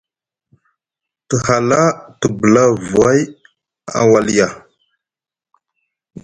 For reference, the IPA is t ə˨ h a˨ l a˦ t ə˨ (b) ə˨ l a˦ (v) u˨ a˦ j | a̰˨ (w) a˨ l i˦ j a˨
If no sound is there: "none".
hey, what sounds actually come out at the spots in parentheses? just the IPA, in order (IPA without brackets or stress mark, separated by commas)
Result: b, v, w